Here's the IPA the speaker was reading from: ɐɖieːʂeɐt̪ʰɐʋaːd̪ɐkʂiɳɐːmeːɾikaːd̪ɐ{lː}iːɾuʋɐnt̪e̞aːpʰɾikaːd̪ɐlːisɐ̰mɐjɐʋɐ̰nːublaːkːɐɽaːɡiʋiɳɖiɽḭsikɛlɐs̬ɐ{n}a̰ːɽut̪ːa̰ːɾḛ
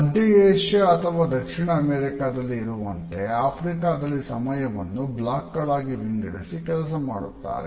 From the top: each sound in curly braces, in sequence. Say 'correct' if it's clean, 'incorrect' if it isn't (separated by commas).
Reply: correct, incorrect